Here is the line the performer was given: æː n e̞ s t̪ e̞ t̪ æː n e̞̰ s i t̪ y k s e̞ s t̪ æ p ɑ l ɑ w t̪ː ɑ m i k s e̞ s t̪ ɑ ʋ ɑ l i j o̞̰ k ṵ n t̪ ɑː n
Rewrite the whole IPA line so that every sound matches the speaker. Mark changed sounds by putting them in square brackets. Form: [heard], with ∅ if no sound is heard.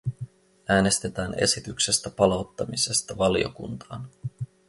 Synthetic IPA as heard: æː n e̞ s t̪ e̞ t̪ æː n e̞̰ s i t̪ y k s e̞ s t̪ æ p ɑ l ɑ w t̪ː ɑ m i [∅] s e̞ s t̪ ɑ ʋ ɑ l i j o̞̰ k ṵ n t̪ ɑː n